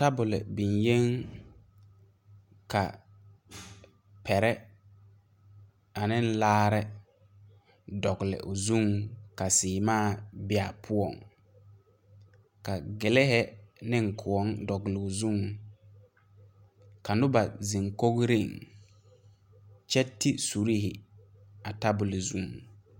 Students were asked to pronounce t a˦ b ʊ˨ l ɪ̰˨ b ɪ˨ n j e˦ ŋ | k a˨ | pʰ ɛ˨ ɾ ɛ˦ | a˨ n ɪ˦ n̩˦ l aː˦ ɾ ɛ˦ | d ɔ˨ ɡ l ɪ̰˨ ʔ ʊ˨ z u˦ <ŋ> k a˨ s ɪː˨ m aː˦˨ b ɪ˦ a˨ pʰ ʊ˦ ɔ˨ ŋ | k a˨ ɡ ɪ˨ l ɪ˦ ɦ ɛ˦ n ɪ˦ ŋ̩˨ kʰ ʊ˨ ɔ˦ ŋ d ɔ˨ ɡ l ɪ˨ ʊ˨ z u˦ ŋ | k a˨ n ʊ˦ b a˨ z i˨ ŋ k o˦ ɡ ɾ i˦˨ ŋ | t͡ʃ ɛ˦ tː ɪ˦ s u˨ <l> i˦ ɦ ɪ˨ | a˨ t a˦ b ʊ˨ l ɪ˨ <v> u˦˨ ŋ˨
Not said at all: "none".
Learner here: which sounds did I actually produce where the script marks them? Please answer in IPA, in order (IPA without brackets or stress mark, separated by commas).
ŋ, ɾ, z